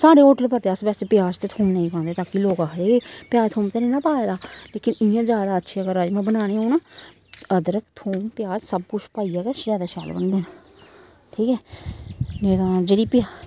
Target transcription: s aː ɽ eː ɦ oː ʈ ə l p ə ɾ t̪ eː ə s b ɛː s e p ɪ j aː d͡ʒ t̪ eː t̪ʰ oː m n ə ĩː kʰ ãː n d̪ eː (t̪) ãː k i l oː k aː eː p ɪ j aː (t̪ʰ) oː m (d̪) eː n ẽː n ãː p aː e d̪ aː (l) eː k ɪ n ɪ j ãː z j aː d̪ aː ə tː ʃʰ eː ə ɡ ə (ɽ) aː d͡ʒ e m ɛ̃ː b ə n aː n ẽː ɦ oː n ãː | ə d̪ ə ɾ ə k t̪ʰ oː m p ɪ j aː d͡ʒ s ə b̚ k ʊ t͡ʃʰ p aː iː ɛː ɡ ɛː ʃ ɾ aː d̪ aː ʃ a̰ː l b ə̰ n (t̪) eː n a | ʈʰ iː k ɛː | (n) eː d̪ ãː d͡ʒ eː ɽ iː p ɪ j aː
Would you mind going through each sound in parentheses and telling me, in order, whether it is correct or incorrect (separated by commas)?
correct, correct, incorrect, correct, incorrect, incorrect, correct